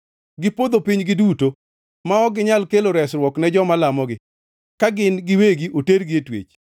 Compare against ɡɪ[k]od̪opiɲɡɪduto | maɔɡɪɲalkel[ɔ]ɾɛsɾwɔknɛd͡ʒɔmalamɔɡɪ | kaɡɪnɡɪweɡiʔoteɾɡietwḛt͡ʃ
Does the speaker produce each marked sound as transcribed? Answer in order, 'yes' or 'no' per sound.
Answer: no, no

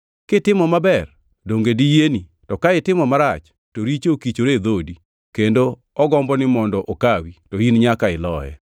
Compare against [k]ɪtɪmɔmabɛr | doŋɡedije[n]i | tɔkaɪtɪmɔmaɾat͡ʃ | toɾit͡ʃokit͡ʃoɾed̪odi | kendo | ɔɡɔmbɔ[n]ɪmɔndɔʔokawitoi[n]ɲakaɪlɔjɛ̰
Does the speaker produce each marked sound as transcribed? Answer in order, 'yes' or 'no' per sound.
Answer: yes, yes, yes, yes

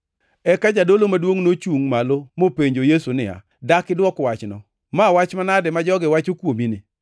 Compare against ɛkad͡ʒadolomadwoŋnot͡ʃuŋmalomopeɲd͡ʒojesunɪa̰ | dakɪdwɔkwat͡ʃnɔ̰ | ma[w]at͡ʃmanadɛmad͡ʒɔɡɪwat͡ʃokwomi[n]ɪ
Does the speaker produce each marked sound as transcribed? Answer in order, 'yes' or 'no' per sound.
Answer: yes, yes

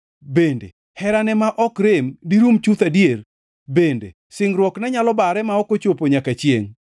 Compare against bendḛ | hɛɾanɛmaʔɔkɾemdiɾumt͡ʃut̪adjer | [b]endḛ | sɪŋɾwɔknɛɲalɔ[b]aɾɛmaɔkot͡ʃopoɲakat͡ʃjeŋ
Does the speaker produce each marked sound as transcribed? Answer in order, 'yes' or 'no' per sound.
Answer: yes, yes

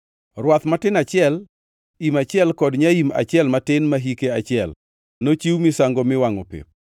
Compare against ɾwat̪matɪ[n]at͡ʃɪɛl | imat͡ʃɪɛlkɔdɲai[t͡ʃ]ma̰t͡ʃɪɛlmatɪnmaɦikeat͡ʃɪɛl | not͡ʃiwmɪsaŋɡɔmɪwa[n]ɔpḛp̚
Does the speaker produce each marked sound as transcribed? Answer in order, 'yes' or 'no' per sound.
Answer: yes, no, no

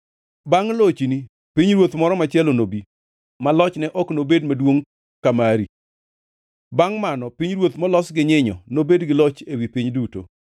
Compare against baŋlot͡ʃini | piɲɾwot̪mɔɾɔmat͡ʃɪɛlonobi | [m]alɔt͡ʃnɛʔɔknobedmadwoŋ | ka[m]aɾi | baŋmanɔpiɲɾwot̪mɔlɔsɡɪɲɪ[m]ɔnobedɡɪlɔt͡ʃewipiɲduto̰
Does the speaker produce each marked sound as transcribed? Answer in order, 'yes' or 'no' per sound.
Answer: yes, yes, no

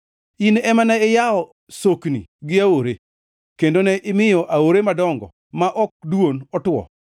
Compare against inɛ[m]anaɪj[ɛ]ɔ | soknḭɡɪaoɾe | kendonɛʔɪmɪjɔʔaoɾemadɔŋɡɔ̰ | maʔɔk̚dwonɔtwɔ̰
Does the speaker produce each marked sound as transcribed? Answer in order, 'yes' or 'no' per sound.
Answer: yes, no

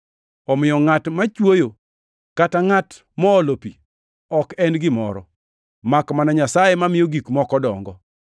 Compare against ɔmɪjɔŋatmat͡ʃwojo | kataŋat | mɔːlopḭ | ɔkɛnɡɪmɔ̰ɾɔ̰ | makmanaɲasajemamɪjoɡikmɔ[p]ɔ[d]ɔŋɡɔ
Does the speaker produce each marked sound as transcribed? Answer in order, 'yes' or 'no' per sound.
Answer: no, yes

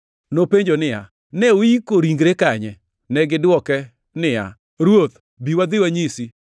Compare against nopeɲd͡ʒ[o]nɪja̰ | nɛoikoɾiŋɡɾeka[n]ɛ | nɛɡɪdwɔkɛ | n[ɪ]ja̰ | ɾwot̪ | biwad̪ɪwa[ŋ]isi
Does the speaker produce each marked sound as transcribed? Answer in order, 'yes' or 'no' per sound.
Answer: yes, no, yes, no

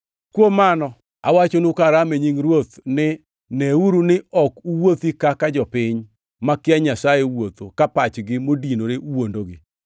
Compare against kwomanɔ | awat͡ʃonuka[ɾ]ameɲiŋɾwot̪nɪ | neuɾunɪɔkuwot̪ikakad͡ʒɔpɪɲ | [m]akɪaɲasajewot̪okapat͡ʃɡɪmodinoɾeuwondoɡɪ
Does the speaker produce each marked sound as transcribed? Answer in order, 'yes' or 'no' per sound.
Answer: yes, yes

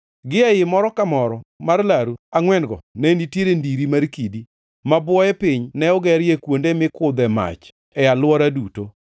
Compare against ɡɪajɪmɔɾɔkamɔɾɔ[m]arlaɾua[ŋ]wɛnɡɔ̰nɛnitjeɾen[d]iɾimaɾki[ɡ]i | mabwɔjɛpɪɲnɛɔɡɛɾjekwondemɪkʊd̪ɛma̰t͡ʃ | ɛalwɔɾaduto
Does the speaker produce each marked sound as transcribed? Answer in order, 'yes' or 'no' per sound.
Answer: yes, yes, yes, no

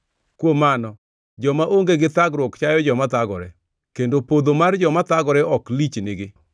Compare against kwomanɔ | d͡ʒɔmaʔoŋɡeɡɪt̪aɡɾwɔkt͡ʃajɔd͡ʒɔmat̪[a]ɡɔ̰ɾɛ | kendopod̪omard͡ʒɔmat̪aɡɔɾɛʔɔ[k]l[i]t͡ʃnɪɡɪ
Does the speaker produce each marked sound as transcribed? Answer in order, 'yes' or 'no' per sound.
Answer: yes, yes, yes

